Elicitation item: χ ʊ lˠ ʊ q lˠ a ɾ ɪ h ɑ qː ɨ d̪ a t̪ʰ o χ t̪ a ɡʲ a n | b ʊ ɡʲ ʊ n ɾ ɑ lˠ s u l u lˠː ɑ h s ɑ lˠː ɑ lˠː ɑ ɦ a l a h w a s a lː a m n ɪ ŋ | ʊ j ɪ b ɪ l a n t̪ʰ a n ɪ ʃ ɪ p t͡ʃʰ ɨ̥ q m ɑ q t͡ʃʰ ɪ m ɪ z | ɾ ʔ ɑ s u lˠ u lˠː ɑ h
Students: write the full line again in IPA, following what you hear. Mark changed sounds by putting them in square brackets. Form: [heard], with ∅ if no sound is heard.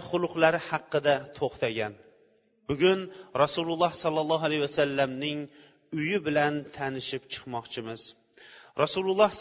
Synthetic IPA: χ ʊ lˠ ʊ q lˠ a ɾ ɪ h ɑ qː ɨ d̪ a t̪ʰ o χ t̪ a ɡʲ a n | b ʊ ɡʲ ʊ n ɾ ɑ [∅] s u l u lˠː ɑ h s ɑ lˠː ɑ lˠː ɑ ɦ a l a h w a s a lː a m n ɪ ŋ | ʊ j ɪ b ɪ l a n t̪ʰ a n ɪ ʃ ɪ p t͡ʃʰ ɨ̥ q m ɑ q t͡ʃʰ ɪ m ɪ z | ɾ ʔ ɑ s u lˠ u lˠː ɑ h